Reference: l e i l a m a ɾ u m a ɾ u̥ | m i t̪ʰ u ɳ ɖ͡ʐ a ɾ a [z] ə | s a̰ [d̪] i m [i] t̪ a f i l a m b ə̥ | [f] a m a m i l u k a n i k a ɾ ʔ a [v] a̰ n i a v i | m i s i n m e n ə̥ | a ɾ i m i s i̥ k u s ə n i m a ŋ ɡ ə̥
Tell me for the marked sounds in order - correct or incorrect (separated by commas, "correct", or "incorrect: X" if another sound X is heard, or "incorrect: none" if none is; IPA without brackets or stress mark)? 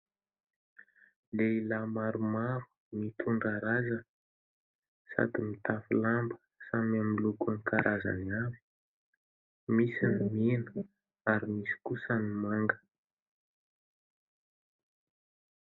correct, correct, correct, incorrect: s, incorrect: z